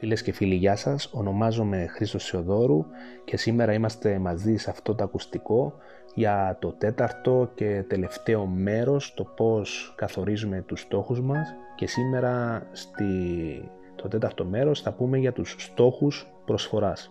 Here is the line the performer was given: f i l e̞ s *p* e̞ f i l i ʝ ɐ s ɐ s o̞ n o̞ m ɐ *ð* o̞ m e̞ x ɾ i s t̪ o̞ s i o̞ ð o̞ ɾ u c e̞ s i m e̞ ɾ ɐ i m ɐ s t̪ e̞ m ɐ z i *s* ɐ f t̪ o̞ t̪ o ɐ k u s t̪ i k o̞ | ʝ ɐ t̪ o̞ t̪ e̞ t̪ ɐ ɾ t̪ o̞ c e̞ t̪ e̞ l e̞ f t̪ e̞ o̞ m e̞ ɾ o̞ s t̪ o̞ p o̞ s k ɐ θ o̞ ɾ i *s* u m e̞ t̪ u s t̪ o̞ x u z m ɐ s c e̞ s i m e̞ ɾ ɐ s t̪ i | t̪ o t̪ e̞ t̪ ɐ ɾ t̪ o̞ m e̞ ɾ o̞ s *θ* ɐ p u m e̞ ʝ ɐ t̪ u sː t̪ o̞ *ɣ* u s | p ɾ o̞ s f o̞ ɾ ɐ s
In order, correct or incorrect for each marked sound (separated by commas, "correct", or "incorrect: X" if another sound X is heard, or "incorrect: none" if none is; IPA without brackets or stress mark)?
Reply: incorrect: c, incorrect: z, correct, incorrect: z, correct, incorrect: x